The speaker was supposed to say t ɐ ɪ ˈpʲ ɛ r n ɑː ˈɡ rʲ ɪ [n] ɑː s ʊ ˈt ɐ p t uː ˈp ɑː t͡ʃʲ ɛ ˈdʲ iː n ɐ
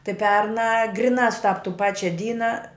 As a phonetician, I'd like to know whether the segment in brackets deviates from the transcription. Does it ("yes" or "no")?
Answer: no